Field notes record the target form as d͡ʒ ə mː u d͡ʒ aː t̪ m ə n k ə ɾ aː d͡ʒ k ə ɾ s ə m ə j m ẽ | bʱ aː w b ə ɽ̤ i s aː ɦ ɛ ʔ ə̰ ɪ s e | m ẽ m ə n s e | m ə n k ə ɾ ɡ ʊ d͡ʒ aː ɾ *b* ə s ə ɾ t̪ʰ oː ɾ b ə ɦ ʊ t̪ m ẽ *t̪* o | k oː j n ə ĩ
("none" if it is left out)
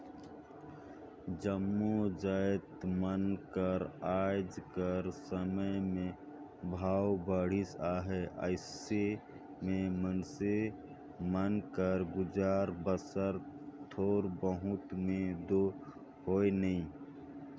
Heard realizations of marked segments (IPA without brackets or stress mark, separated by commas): b, d̪